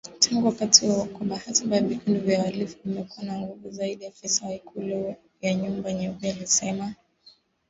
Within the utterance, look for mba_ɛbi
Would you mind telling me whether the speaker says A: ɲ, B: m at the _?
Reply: A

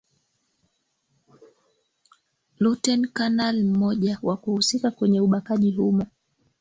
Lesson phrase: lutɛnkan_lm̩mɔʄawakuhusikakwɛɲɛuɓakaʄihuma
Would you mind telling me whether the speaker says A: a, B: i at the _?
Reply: A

